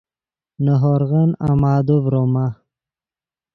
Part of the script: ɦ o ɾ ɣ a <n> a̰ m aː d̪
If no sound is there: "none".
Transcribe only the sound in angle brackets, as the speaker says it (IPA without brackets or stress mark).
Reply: n